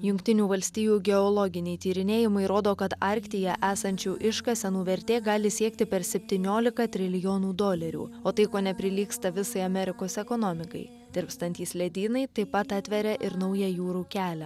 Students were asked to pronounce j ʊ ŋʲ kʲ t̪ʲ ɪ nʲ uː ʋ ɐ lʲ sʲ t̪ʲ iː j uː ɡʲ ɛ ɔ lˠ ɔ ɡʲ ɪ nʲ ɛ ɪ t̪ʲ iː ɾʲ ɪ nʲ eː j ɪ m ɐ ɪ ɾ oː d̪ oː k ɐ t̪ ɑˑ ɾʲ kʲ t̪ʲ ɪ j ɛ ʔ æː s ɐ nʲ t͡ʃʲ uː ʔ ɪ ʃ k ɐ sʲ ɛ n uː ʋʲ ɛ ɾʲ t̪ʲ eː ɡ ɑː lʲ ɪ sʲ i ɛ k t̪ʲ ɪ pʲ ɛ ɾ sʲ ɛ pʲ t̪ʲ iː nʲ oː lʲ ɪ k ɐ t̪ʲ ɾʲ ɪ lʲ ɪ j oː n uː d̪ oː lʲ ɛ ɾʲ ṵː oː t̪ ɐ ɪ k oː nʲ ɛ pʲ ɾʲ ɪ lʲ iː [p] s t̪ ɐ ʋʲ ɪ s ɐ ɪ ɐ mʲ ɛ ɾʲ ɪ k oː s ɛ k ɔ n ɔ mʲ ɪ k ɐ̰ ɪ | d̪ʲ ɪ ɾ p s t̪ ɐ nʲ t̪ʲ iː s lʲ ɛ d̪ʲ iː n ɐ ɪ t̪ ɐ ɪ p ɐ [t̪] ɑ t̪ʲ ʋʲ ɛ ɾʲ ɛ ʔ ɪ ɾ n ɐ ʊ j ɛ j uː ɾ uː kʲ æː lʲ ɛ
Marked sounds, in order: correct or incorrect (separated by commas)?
incorrect, correct